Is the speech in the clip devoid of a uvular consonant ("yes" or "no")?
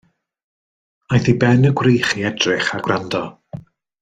no